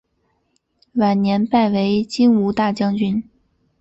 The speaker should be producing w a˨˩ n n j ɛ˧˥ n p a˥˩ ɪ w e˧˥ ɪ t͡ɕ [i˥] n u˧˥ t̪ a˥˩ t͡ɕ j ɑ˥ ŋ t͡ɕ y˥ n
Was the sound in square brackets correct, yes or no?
yes